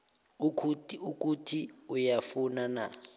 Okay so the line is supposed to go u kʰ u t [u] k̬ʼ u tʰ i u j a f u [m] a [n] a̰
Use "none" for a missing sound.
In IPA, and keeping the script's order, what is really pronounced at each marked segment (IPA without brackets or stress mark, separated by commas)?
u, n, n